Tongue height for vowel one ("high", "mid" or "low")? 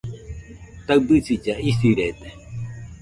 low